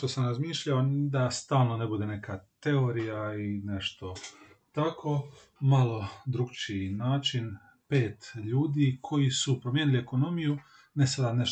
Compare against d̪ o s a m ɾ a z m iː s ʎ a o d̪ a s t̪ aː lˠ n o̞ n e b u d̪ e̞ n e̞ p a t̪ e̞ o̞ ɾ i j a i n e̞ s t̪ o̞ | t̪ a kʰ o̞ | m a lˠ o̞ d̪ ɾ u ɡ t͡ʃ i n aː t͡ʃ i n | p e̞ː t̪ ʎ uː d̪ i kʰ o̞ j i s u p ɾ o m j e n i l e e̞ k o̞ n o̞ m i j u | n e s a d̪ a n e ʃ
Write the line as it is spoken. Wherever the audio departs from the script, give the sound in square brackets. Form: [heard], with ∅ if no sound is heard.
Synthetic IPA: [t̪] o s a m ɾ a z m iː [ʃ] ʎ a o d̪ a s t̪ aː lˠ n o̞ n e b u d̪ e̞ n e̞ [k] a t̪ e̞ o̞ ɾ i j a i n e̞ [ʃ] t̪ o̞ | t̪ a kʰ o̞ | m a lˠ o̞ d̪ ɾ u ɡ t͡ʃ i n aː t͡ʃ i n | p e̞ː t̪ ʎ uː d̪ i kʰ o̞ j i s u p ɾ o m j e n i l [i] e̞ k o̞ n o̞ m i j u | n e s a d̪ a n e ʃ